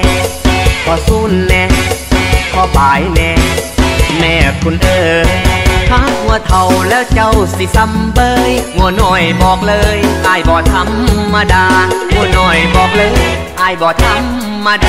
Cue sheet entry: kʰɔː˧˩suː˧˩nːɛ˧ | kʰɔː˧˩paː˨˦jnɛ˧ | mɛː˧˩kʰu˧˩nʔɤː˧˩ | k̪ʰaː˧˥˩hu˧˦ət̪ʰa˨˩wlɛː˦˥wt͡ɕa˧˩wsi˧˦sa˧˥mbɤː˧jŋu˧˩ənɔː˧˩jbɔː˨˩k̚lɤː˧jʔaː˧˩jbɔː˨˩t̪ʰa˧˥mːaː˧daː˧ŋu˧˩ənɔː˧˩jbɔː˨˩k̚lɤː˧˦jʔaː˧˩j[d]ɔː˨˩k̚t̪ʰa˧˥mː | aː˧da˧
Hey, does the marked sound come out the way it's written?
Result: no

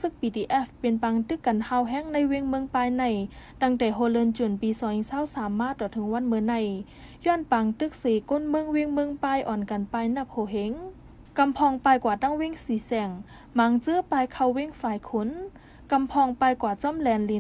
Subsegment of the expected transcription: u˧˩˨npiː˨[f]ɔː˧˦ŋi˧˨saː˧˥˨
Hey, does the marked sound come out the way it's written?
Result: no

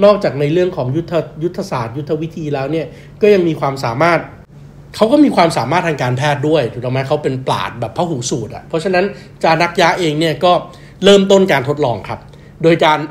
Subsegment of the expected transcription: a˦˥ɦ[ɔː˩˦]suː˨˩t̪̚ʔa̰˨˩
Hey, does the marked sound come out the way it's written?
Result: no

